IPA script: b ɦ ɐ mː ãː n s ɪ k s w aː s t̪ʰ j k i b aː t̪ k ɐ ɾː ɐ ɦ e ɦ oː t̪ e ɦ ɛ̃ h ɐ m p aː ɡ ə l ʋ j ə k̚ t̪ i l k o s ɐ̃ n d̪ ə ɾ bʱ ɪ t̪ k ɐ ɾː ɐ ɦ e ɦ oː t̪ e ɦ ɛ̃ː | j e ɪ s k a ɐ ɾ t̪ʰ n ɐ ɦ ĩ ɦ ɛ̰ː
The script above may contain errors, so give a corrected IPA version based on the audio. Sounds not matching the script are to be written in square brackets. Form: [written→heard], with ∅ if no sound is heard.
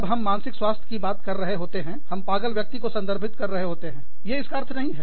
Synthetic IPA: b ɦ ɐ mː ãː n s ɪ k s w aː s t̪ʰ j k i b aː t̪ k ɐ ɾː ɐ ɦ e ɦ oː t̪ e ɦ ɛ̃ h ɐ m p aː ɡ ə l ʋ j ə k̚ t̪ i [l→∅] k o s ɐ̃ n d̪ ə ɾ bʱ ɪ t̪ k ɐ ɾː ɐ ɦ e ɦ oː t̪ e ɦ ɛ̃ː | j e ɪ s k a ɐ ɾ t̪ʰ n ɐ ɦ ĩ ɦ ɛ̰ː